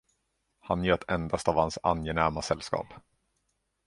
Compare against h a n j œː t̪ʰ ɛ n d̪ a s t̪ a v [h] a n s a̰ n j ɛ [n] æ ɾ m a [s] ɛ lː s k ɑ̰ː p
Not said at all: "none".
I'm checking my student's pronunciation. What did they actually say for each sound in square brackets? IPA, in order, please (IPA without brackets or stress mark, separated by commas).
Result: h, n, s